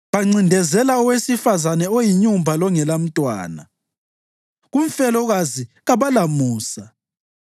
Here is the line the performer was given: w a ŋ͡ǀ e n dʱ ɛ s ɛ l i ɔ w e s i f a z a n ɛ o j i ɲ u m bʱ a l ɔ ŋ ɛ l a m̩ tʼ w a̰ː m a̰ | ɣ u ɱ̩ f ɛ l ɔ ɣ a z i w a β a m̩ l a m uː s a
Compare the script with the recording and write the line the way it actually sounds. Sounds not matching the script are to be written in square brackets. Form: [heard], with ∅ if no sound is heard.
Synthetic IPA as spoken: [β] a ŋ͡ǀ [i] n dʱ ɛ [z] ɛ l [a] ɔ w e s i f a z a n ɛ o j i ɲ u m bʱ a l ɔ ŋ ɛ l a m̩ tʼ w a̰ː [n] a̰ | ɣ u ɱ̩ f ɛ l ɔ ɣ a z i [ɣ] a β a [∅] l a m uː s a

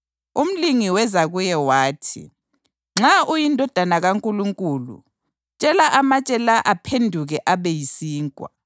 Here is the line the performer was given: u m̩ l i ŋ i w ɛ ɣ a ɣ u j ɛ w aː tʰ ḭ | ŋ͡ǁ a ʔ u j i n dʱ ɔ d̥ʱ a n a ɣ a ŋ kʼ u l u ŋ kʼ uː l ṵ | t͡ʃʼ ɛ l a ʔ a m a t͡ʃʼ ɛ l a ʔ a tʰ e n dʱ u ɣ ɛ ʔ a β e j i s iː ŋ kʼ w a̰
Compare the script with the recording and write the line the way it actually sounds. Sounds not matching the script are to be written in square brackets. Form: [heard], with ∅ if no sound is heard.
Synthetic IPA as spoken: u m̩ l i ŋ i w ɛ [z] a ɣ u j ɛ w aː tʰ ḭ | ŋ͡ǁ a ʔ u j i n dʱ ɔ d̥ʱ a n a ɣ a ŋ kʼ u l u ŋ kʼ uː l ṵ | t͡ʃʼ ɛ l a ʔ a m a t͡ʃʼ ɛ l a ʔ a [pʰ] e n dʱ u ɣ ɛ ʔ a β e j i s iː ŋ kʼ w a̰

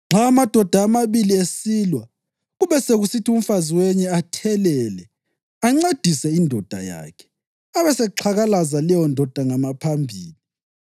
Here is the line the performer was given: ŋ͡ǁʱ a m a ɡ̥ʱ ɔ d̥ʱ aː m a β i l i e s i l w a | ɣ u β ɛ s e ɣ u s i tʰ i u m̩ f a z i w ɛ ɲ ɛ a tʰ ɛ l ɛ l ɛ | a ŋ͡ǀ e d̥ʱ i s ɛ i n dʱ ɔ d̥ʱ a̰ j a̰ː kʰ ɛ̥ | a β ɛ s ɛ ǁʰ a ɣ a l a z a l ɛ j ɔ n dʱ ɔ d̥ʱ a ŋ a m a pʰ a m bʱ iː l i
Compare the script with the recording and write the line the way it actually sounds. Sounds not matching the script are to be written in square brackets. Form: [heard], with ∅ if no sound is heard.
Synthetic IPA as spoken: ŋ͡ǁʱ a m a [d̥ʱ] ɔ d̥ʱ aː m a β i l i e s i l w a | ɣ u β ɛ s e ɣ u s i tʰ i u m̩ f a z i w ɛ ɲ ɛ a tʰ ɛ l ɛ l ɛ | a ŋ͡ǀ e d̥ʱ i s ɛ i n dʱ ɔ d̥ʱ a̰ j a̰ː kʰ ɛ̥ | a β ɛ s ɛ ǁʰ a ɣ a l a z a l ɛ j ɔ n dʱ ɔ d̥ʱ a ŋ a m a pʰ a m bʱ iː l i

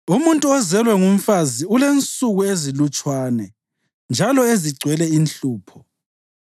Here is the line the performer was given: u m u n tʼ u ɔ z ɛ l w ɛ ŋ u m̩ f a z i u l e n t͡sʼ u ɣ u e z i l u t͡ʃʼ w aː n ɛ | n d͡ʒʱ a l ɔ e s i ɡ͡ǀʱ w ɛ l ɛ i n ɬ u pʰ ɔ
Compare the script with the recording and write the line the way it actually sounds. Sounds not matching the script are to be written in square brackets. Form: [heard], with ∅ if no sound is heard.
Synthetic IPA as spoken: u m u n tʼ u ɔ z ɛ l w ɛ ŋ u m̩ f a z i u l e n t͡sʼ u ɣ u e z i l u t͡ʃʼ w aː n ɛ | n d͡ʒʱ a l ɔ e [z] i ɡ͡ǀʱ w ɛ l ɛ i n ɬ [uː] pʰ ɔ

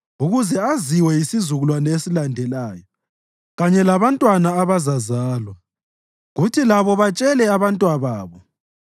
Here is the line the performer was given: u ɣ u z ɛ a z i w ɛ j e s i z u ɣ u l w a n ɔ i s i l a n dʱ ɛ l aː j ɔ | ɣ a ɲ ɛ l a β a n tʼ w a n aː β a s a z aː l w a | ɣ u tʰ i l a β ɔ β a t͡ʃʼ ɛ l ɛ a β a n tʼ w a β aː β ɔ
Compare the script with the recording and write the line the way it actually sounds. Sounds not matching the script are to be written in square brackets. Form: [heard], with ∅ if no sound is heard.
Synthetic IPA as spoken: u ɣ u z ɛ a z i w ɛ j [i] s i z u ɣ u l w a n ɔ [e] s i l a n dʱ ɛ l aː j ɔ | ɣ a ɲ ɛ l a β a n tʼ w a n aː β a [z] a z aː l w a | ɣ u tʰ i l a β ɔ β a t͡ʃʼ ɛ l ɛ a β a n tʼ w a β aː β ɔ

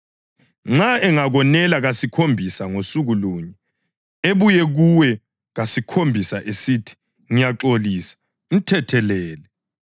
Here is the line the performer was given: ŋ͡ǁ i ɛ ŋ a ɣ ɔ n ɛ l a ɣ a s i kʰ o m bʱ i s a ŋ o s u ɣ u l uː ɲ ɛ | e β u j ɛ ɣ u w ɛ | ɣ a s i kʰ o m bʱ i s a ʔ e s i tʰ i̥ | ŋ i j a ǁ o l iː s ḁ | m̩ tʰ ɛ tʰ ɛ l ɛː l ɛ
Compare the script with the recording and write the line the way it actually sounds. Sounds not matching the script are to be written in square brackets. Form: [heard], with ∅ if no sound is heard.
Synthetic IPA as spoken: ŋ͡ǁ [a] ɛ ŋ a ɣ ɔ n ɛ l a ɣ a s i kʰ o m bʱ i s a ŋ o s u ɣ u l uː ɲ ɛ | e β u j ɛ ɣ u w ɛ | ɣ a s i kʰ o m bʱ i s a ʔ e s i tʰ i̥ | ŋ i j a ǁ o l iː s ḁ | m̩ tʰ ɛ tʰ ɛ l ɛː l ɛ

